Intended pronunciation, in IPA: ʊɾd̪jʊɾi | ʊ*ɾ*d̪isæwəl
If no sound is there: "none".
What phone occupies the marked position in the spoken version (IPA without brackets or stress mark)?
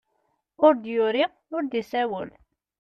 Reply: ɾ